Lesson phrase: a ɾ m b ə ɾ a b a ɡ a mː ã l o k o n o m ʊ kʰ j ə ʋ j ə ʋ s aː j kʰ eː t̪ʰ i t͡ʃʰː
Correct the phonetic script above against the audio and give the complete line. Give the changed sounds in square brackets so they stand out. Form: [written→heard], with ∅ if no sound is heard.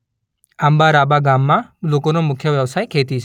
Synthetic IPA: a [ɾ→∅] m b [ə→a] ɾ a b a ɡ a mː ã l o k o n o m ʊ kʰ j ə ʋ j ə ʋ s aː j kʰ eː [t̪ʰ→t̪] i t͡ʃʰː